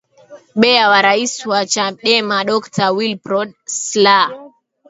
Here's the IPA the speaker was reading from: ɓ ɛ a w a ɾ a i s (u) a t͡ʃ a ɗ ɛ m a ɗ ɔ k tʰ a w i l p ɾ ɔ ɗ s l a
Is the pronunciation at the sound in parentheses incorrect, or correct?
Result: incorrect